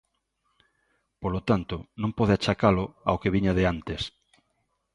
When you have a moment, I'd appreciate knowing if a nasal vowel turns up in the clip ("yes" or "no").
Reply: yes